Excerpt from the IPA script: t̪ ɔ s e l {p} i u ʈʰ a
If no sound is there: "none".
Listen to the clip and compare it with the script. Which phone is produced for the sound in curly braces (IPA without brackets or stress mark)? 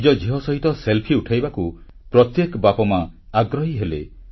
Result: pʰ